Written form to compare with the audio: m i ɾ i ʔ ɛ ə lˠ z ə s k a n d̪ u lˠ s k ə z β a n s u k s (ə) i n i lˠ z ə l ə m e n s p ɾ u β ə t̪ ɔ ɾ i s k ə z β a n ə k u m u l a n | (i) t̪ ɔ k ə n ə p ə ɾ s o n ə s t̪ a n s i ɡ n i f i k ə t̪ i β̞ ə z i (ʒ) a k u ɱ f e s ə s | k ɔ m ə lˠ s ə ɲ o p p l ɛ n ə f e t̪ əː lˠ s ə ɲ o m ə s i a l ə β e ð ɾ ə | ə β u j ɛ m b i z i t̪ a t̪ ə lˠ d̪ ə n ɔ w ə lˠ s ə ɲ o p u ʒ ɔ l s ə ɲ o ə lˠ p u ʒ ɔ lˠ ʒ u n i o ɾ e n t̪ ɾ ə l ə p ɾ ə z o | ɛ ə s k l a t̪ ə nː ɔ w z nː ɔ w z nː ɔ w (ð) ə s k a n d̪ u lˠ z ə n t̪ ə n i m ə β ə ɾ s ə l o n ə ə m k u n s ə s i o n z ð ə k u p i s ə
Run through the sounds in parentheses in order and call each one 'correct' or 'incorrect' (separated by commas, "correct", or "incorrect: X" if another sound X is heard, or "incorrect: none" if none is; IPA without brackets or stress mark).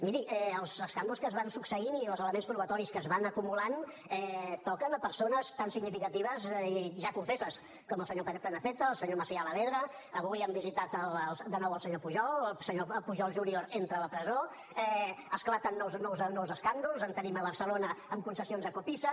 correct, incorrect: ɛ, correct, incorrect: z